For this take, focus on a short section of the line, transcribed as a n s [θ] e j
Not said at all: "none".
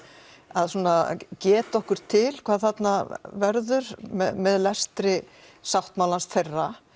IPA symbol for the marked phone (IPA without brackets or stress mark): θ